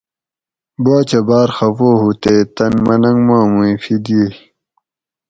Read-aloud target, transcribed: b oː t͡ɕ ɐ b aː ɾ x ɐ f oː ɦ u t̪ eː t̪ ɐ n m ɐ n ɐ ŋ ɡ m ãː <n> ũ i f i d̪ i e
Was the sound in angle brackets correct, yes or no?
no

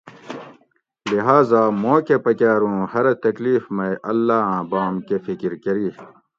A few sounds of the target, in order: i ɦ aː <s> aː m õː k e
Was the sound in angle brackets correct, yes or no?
no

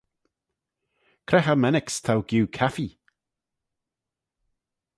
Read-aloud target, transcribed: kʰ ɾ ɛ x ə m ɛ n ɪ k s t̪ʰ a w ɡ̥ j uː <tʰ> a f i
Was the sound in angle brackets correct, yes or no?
no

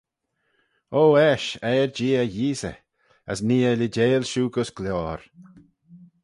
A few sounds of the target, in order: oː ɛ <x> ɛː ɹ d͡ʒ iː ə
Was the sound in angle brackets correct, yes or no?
no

